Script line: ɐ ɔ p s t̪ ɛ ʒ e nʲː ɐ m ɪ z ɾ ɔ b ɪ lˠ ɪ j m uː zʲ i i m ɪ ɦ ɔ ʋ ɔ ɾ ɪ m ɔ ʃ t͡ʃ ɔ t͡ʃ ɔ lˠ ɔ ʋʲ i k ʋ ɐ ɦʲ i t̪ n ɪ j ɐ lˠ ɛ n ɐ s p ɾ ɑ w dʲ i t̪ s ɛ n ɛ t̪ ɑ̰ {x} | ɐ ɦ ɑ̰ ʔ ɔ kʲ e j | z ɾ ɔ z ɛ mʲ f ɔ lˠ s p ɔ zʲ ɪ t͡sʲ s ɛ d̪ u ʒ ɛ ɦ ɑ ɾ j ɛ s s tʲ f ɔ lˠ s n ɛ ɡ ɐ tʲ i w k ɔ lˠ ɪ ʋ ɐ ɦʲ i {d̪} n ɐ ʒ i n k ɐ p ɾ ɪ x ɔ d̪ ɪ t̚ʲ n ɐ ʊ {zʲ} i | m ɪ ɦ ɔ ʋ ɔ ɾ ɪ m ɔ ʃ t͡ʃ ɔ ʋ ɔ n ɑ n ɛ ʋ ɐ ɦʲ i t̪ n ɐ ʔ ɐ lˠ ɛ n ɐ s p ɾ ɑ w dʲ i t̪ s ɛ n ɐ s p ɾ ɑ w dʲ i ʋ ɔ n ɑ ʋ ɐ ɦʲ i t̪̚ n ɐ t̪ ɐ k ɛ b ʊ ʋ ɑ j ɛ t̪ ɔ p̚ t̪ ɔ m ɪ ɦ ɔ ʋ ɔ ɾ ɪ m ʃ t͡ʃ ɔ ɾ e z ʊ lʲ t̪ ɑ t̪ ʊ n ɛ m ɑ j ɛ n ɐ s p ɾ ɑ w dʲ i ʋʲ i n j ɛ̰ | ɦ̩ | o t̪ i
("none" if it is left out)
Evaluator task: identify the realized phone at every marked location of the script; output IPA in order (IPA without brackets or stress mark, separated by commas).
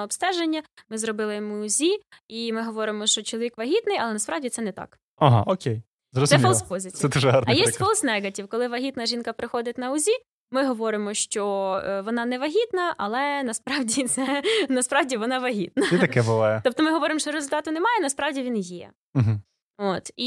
k, t̪, zʲ